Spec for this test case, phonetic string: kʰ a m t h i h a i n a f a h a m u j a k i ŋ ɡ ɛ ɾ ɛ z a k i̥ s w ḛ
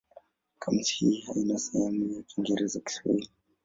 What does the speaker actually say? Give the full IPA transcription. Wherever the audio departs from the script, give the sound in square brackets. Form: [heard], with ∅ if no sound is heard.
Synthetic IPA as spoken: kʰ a m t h i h a i n a [s] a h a m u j a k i ŋ ɡ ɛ ɾ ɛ z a k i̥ s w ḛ